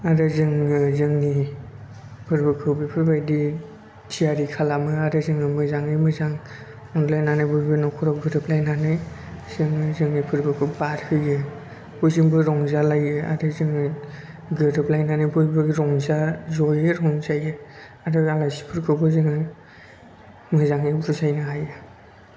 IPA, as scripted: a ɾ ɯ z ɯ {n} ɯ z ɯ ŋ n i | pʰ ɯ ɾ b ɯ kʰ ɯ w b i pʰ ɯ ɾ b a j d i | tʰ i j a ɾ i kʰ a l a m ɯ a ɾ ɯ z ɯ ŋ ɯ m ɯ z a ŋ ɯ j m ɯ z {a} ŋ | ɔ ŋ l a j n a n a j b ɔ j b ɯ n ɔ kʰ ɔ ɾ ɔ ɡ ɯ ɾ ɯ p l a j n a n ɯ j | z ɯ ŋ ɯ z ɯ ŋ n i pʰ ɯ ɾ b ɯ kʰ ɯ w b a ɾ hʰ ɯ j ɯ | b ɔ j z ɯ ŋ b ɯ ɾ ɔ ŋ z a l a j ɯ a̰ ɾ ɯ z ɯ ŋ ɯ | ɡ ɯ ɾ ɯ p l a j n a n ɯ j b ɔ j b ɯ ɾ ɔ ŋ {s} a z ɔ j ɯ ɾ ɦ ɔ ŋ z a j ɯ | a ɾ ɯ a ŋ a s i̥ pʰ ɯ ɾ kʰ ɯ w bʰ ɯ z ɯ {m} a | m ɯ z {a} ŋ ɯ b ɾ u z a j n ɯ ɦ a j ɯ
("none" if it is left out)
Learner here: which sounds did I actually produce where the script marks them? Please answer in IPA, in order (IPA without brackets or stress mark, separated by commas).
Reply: ŋ, a, z, ŋ, a